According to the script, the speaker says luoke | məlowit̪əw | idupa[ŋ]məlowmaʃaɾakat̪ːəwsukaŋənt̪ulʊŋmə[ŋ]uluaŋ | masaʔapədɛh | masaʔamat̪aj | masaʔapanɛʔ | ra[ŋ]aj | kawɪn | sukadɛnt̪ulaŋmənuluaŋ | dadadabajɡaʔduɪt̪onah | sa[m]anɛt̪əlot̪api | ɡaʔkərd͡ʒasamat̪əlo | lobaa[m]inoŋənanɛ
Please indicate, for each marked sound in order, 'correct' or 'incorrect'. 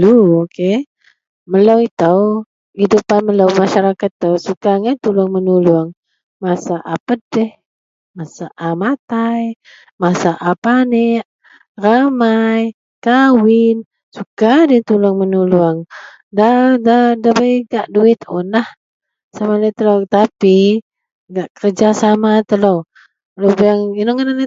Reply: incorrect: n, incorrect: n, incorrect: m, correct, incorrect: ŋ

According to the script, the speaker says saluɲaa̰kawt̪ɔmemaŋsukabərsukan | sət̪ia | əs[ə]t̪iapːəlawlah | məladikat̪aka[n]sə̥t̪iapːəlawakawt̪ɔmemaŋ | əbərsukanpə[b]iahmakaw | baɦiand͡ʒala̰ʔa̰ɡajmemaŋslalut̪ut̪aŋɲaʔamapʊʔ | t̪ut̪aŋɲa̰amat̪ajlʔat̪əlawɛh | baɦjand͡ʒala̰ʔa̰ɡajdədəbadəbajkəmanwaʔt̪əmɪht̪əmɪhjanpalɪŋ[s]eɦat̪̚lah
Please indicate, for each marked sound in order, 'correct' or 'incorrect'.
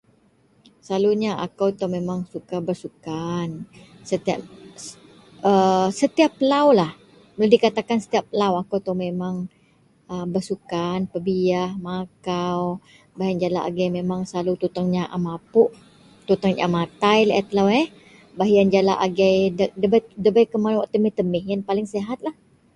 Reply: correct, correct, correct, correct

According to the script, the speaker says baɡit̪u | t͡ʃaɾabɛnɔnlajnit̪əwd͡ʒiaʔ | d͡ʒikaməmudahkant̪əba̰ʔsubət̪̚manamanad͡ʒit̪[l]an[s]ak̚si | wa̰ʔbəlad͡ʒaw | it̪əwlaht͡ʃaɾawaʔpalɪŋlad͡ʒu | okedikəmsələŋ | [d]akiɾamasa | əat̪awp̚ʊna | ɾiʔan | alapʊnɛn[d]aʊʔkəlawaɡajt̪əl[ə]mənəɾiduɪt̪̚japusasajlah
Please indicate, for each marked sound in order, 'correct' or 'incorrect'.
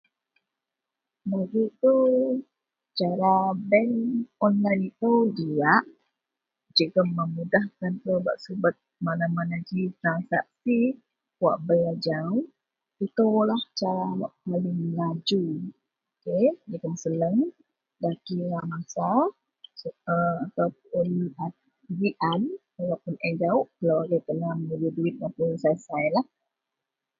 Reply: incorrect: ɾ, correct, correct, incorrect: d͡ʒ, incorrect: a

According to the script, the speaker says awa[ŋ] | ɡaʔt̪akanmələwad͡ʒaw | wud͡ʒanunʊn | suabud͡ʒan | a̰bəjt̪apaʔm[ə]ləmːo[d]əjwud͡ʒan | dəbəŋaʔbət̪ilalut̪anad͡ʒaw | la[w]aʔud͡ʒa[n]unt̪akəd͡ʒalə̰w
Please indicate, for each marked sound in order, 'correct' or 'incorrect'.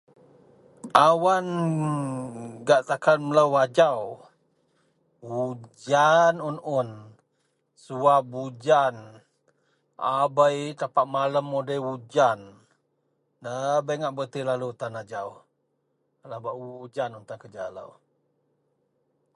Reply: incorrect: n, incorrect: a, correct, incorrect: b, correct

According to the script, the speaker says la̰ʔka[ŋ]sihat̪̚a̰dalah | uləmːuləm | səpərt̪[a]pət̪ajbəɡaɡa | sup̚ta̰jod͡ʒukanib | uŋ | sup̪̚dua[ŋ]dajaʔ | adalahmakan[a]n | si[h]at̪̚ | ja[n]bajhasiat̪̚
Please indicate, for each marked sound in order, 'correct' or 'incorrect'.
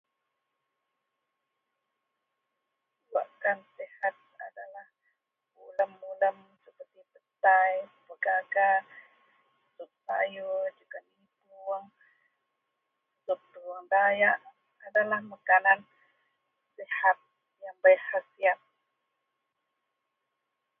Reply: incorrect: n, incorrect: i, correct, correct, correct, incorrect: ŋ

